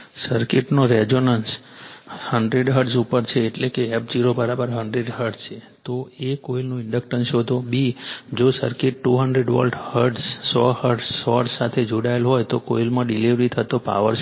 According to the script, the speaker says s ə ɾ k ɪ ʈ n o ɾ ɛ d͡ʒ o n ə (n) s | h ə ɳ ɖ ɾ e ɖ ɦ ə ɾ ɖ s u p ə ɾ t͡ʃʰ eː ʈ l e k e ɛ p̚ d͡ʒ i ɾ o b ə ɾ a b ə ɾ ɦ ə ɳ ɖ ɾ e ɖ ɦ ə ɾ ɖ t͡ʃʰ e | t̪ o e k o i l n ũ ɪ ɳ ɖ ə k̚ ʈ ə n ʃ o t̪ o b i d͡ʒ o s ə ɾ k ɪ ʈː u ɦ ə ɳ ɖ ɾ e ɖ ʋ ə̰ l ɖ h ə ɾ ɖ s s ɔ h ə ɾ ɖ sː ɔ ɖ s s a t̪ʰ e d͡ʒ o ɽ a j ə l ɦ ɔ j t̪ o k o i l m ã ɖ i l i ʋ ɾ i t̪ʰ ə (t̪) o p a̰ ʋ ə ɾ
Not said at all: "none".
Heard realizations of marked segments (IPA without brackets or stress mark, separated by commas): n, t̪